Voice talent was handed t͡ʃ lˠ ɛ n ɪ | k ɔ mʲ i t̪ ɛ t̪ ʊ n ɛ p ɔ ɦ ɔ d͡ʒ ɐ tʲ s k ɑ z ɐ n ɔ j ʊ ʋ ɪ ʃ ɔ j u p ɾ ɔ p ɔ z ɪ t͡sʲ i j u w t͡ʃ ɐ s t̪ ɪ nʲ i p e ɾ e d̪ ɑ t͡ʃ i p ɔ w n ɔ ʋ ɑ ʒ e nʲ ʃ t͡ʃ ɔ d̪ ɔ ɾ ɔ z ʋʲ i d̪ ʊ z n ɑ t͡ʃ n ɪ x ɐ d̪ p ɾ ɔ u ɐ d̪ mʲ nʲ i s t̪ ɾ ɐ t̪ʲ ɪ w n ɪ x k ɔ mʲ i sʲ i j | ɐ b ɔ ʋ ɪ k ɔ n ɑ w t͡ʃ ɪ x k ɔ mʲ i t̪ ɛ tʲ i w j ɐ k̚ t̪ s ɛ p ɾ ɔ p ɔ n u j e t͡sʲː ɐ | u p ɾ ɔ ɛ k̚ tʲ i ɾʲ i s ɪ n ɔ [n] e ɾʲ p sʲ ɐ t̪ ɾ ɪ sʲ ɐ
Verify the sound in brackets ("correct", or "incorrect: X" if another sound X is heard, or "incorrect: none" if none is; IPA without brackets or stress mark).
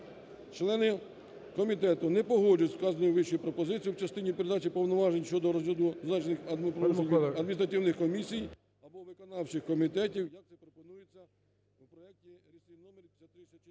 incorrect: m